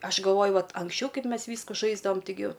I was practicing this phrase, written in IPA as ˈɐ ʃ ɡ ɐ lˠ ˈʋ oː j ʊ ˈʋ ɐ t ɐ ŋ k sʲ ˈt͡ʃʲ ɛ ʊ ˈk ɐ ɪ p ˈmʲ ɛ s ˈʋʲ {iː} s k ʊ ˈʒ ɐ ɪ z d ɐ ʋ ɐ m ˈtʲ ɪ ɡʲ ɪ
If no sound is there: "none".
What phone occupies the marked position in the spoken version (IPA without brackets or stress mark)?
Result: iː